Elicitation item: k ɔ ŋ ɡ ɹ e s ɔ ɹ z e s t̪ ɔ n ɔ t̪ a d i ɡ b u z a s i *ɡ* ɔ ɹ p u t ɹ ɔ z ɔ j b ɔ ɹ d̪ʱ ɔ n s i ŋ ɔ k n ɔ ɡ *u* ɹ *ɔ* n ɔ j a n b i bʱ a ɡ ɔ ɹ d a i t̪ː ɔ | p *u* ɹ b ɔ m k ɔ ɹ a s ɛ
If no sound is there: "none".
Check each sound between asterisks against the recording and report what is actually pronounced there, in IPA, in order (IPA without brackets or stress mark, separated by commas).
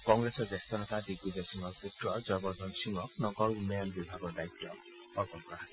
ŋ, ɔ, u, ɔ